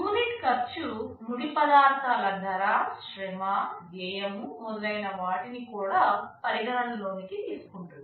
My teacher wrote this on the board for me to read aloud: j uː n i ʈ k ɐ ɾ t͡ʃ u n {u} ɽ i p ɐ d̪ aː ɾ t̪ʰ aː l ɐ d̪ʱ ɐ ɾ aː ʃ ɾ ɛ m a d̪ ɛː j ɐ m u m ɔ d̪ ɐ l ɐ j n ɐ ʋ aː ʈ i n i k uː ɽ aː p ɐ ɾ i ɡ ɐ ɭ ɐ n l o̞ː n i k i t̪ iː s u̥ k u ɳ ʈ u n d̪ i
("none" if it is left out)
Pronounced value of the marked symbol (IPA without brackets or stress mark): u